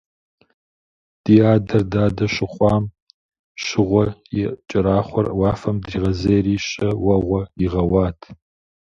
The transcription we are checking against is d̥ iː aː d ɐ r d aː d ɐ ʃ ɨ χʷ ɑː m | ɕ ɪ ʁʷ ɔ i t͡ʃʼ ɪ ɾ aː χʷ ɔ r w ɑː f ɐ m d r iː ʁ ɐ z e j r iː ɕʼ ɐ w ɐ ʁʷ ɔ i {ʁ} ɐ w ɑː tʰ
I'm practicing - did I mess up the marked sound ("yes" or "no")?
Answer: no